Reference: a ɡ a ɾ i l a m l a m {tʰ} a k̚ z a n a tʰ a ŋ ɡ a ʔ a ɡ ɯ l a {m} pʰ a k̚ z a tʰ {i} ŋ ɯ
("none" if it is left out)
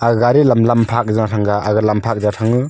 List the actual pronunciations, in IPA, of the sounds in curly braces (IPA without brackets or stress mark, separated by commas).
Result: pʰ, m, a